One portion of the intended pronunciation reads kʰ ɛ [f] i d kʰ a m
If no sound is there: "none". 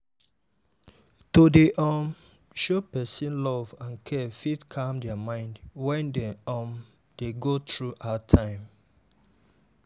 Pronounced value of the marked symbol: f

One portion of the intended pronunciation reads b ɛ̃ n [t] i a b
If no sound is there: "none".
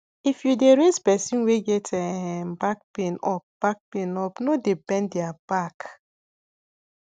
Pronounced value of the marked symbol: d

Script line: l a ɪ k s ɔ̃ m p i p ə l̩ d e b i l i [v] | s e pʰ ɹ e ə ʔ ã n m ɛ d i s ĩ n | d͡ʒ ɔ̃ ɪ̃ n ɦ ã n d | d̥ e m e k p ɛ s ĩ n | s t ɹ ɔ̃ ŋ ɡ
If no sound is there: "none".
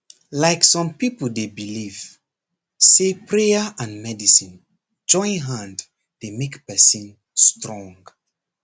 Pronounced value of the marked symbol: v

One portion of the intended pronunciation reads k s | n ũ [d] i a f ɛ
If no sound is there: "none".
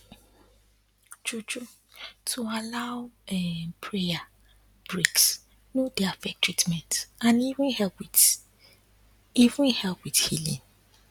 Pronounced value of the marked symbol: d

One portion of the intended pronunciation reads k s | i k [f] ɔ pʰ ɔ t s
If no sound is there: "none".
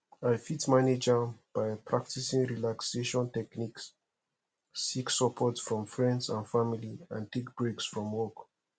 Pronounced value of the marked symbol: s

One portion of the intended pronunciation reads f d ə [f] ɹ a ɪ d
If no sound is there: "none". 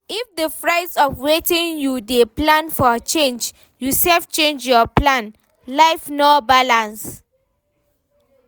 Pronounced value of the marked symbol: f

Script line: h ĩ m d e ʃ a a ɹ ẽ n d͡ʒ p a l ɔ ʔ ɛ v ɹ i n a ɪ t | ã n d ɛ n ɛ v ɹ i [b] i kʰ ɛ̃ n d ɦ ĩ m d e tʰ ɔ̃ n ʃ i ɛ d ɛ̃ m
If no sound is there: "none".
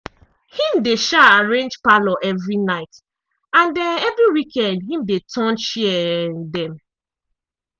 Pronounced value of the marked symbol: w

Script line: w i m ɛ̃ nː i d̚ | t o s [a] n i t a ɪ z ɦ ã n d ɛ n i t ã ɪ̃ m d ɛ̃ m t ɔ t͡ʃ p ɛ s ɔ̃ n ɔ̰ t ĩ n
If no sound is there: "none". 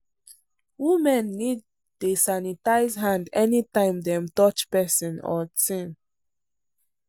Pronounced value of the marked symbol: a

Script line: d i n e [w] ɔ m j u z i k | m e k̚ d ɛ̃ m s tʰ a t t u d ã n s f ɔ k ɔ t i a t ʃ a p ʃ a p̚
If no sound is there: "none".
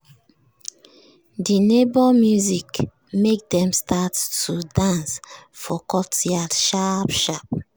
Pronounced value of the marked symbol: b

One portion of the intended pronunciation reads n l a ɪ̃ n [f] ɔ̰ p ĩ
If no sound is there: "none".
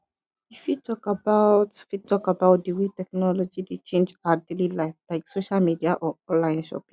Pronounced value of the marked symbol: ʃ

